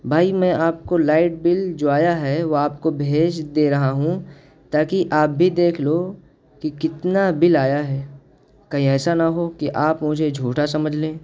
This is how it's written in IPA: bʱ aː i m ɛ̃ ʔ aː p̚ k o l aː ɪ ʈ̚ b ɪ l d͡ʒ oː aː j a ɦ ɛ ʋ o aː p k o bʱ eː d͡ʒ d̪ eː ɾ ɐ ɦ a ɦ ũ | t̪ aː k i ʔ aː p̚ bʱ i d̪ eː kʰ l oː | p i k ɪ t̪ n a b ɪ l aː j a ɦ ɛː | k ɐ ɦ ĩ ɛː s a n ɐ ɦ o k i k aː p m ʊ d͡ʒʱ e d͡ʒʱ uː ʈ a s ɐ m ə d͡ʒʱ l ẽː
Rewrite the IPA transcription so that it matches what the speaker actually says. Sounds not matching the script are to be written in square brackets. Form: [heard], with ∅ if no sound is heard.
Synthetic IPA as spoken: bʱ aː i m ɛ̃ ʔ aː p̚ k o l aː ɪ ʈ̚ b ɪ l d͡ʒ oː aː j a ɦ ɛ ʋ o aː p k o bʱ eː d͡ʒ d̪ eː ɾ ɐ ɦ a ɦ ũ | t̪ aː k i ʔ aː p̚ bʱ i d̪ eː kʰ l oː | [k] i k ɪ t̪ n a b ɪ l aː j a ɦ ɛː | k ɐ ɦ ĩ ɛː s a n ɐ ɦ o k i [ʔ] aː p m ʊ d͡ʒʱ e d͡ʒʱ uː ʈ a s ɐ m ə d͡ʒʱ l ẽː